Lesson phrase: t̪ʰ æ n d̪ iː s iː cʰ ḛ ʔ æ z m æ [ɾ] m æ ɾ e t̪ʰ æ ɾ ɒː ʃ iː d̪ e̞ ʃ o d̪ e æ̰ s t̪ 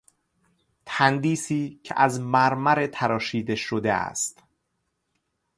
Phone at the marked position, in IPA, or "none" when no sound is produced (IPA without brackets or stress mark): ɾ